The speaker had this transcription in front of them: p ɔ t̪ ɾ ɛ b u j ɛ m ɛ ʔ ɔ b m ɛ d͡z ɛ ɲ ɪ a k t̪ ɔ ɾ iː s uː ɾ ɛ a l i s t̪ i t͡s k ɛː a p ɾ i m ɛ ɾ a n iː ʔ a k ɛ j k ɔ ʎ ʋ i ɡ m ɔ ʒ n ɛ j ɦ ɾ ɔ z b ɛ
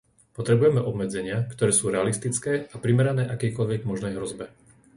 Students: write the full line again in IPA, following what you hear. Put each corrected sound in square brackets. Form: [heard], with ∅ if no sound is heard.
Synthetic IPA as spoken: p ɔ t̪ ɾ ɛ b u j ɛ m ɛ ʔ ɔ b m ɛ d͡z ɛ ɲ ɪ a k t̪ ɔ ɾ [ɛː] s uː ɾ ɛ a l i s t̪ i t͡s k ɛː a p ɾ i m ɛ ɾ a n [ɛː] ʔ a k ɛ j k ɔ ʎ ʋ [ɛ] ɡ m ɔ ʒ n ɛ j ɦ ɾ ɔ z b ɛ